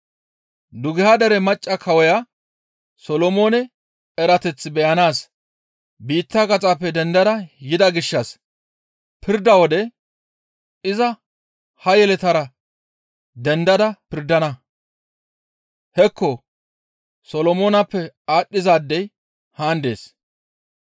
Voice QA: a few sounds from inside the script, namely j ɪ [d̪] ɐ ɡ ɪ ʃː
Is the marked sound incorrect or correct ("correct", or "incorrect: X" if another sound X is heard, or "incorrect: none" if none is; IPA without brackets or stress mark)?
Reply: correct